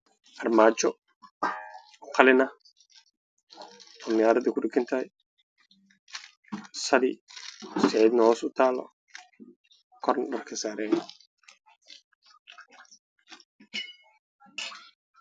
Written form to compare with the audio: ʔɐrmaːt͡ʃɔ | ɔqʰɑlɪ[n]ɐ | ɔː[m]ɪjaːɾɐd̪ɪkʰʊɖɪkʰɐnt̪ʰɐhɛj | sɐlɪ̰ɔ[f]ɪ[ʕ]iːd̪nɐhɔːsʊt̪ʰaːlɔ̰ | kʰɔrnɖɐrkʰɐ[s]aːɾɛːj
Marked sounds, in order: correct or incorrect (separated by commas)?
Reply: correct, correct, incorrect, correct, correct